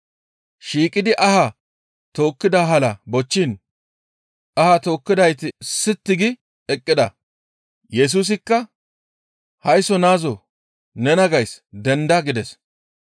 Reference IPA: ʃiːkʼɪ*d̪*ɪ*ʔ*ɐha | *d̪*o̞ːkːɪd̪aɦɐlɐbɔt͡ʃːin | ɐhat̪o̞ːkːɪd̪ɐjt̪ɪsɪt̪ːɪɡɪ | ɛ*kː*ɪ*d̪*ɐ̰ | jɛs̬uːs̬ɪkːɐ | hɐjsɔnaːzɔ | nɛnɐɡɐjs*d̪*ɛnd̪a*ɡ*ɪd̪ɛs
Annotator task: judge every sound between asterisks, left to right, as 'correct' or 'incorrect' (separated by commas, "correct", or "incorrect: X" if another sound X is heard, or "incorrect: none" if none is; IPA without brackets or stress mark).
correct, correct, incorrect: t̪, incorrect: kʼː, correct, correct, correct